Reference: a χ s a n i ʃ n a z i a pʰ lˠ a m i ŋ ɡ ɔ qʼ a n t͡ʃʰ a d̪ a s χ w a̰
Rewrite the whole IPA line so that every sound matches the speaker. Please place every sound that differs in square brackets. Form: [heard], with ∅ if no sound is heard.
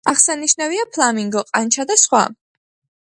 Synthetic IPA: a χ s a n i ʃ n a [v] i a pʰ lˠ a m i ŋ ɡ ɔ qʼ a n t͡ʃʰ a d̪ a s χ w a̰

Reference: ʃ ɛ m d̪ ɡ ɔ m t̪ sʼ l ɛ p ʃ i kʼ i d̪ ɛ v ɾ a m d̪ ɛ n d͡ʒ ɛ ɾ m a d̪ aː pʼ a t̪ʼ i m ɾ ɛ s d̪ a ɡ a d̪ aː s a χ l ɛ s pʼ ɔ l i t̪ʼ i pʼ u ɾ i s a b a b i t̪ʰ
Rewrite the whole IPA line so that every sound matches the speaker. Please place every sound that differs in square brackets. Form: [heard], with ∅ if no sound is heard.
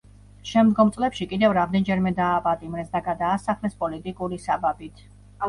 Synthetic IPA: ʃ ɛ m d̪ ɡ ɔ m t̪ sʼ l ɛ p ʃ i kʼ i d̪ ɛ v ɾ a m d̪ ɛ n d͡ʒ ɛ ɾ m [ɛ] d̪ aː pʼ a t̪ʼ i m ɾ ɛ s d̪ a ɡ a d̪ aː s a χ l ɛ s pʼ ɔ l i t̪ʼ i [kʼ] u ɾ i s a b a b i t̪ʰ

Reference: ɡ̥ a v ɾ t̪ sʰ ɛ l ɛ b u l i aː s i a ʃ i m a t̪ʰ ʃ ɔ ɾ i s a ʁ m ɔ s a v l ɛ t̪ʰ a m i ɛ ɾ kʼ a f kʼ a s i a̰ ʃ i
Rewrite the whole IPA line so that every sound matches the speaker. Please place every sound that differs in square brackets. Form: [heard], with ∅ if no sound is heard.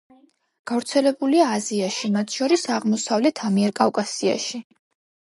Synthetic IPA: ɡ̥ a v ɾ t̪ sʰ ɛ l ɛ b u l i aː [z] i a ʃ i m a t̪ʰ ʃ ɔ ɾ i s a ʁ m ɔ s a v l ɛ t̪ʰ a m i ɛ ɾ kʼ a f kʼ a s i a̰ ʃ i

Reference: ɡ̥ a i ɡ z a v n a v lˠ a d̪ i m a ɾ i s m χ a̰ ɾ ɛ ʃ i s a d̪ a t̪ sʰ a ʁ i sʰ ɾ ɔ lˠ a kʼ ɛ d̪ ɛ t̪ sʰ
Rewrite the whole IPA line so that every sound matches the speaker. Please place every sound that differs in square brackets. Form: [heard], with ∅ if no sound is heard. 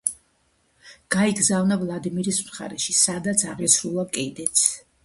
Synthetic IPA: ɡ̥ a i ɡ z a v n a v lˠ a d̪ i m [i] ɾ i s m χ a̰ ɾ ɛ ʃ i s a d̪ a t̪ sʰ a ʁ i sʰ ɾ [u] lˠ a kʼ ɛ d̪ ɛ t̪ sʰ

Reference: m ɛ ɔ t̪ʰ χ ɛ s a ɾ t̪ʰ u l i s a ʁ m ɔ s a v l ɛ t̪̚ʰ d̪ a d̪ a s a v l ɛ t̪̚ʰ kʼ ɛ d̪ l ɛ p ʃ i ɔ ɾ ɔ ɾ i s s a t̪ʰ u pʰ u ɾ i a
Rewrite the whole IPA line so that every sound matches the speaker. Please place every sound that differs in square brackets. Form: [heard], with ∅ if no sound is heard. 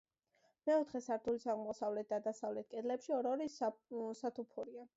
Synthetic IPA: m ɛ ɔ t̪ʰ χ ɛ s a ɾ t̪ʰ u l i s a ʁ m ɔ s a v l ɛ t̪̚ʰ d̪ a d̪ a s a v l ɛ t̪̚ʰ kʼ ɛ d̪ l ɛ p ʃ i ɔ ɾ ɔ ɾ i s s a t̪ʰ u pʰ u ɾ i a

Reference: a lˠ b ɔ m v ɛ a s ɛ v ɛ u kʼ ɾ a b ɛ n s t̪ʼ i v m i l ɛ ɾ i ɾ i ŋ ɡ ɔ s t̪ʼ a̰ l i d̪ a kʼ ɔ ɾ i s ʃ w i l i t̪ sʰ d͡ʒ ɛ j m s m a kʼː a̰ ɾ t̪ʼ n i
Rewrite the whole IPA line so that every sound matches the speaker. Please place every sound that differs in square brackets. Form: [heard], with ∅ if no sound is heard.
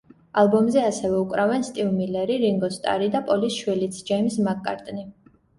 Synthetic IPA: a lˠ b ɔ m [z] ɛ a s ɛ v ɛ u kʼ ɾ a [v] ɛ n s t̪ʼ i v m i l ɛ ɾ i ɾ i ŋ ɡ ɔ s t̪ʼ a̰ [ɾ] i d̪ a [pʼ] ɔ [l] i s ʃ w i l i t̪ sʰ d͡ʒ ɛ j m s m a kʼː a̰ ɾ t̪ʼ n i

